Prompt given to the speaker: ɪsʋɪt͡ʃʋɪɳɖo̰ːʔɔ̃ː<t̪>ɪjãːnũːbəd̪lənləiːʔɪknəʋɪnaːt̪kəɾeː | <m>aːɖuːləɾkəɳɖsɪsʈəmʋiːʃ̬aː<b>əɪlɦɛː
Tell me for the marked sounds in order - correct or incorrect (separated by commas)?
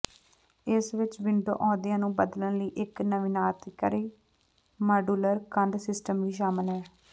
incorrect, correct, incorrect